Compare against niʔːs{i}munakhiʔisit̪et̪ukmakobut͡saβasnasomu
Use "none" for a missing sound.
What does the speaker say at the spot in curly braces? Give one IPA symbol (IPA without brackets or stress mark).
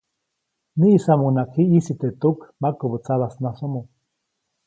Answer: a